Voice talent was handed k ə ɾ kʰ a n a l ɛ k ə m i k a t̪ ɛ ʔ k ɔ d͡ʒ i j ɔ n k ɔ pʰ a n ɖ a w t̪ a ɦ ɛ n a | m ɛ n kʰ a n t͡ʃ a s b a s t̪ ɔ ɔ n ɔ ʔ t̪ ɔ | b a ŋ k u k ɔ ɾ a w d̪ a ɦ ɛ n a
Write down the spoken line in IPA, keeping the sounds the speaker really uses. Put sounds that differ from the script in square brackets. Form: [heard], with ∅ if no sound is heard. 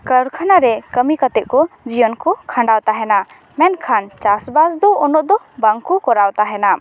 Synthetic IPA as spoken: k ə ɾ kʰ a n a [ɾ] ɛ k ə m i k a t̪ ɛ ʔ k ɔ d͡ʒ i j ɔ n k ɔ [kʰ] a [ɳ] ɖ a w t̪ a ɦ ɛ n a | m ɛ n kʰ a n t͡ʃ a s b a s [d̪] ɔ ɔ n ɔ ʔ [d̪] ɔ | b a ŋ k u k ɔ ɾ a w [t̪] a ɦ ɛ n a